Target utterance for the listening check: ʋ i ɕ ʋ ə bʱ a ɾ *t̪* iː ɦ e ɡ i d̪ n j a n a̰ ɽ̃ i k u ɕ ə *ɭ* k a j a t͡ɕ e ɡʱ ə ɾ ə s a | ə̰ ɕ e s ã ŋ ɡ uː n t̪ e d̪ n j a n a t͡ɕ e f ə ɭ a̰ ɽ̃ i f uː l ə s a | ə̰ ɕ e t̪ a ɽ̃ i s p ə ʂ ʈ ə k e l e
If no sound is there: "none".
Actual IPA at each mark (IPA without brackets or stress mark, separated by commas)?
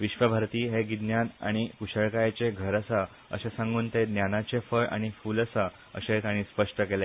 t̪, ɭ